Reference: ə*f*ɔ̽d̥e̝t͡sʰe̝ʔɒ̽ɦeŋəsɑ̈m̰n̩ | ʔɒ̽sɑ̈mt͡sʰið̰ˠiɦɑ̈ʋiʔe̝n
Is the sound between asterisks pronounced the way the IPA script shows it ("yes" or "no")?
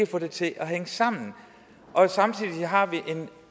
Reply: yes